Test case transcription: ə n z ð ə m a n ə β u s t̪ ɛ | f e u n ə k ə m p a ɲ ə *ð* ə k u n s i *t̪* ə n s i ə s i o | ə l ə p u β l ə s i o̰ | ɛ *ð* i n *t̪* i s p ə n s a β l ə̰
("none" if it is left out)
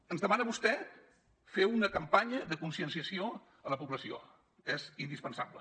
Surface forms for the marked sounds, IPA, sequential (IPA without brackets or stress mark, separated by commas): ð, none, z, d̪